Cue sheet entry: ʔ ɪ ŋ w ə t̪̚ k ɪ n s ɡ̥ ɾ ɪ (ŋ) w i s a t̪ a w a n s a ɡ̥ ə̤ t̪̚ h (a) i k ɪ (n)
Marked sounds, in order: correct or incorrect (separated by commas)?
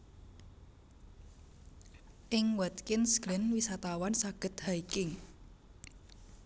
incorrect, correct, incorrect